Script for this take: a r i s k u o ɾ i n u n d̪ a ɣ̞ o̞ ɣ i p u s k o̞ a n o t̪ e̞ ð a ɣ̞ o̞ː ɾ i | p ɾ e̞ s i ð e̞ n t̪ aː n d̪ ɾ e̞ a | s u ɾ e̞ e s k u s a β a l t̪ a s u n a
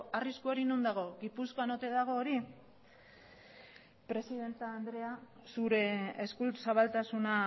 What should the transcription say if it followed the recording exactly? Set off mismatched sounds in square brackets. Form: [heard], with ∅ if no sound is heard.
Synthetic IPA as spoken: a r i s k u o ɾ i n u n d̪ a ɣ̞ o̞ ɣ i p u s k o̞ a n o t̪ e̞ ð a ɣ̞ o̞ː ɾ i | p ɾ e̞ s i ð e̞ n t̪ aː n d̪ ɾ e̞ a | s u ɾ e̞ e s k u s a β a l t̪ a s u n a